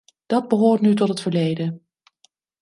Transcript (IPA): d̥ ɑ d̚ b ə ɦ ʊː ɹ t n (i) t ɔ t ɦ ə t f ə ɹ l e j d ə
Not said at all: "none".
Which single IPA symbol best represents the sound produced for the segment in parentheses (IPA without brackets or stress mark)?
y